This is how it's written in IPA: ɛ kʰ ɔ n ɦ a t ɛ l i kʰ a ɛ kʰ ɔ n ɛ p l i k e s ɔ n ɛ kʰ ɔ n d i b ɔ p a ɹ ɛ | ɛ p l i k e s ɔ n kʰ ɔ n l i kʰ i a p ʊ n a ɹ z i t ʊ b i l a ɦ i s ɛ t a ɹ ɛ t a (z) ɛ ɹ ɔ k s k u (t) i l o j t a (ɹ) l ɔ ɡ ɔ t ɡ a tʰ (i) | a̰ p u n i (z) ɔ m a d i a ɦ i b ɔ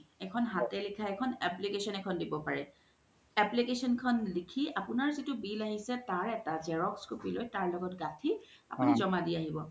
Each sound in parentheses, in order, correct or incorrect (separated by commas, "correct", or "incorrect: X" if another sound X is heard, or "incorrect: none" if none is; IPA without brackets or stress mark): correct, incorrect: p, correct, correct, correct